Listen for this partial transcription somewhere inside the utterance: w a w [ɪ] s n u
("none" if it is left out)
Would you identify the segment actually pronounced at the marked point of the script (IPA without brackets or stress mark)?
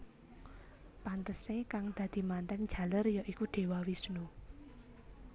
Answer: i